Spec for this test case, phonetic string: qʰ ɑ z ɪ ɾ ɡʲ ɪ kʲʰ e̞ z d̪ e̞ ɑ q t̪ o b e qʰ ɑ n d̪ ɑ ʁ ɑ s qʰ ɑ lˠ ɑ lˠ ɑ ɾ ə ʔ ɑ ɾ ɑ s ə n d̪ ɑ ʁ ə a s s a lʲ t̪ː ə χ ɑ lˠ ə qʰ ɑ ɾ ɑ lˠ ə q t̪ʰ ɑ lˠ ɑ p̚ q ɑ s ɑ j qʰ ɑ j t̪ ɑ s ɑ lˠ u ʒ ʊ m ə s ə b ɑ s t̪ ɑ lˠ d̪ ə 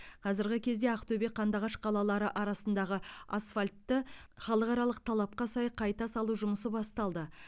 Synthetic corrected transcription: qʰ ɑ z ɪ ɾ ɡʲ ɪ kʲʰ e̞ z d̪ e̞ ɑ q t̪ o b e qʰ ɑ n d̪ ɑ ʁ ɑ ʃ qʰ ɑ lˠ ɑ lˠ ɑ ɾ ə ʔ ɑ ɾ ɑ s ə n d̪ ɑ ʁ ə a s f a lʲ t̪ː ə χ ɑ lˠ ə q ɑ ɾ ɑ lˠ ə q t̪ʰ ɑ lˠ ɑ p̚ q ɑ s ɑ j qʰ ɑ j t̪ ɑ s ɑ lˠ u ʒ ʊ m ə s ə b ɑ s t̪ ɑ lˠ d̪ ə